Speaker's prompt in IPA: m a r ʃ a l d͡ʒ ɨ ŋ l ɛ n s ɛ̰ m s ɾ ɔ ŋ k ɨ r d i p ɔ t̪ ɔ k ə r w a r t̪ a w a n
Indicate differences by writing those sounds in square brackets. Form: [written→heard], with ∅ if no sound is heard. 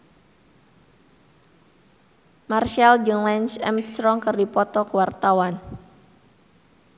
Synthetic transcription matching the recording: m a r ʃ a l d͡ʒ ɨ ŋ l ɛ n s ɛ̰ m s ɾ ɔ ŋ k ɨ r d i p ɔ t̪ ɔ k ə [r→∅] w a r t̪ a w a n